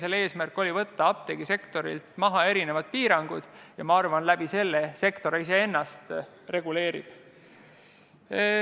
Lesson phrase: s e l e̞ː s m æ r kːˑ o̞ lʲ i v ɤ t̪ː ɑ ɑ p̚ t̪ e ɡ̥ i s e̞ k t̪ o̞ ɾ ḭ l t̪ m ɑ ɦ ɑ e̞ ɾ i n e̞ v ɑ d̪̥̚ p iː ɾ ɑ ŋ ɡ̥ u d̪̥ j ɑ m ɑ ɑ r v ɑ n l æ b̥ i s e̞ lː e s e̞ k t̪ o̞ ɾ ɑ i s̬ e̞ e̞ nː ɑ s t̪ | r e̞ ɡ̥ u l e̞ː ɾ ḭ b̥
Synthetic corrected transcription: s e l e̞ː s m æ r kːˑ o̞ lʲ i v ɤ t̪ː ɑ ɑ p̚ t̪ e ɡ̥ i s e̞ k t̪ o̞ ɾ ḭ l t̪ m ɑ ɦ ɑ e̞ ɾ i n e̞ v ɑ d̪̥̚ p iː ɾ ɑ ŋ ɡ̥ u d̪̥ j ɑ m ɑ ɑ r v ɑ n l æ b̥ i s e̞ lː e s e̞ k t̪ o̞ ɾ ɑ i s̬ e̞ e̞ nː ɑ s t̪ | r e̞ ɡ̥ u l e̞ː ɾ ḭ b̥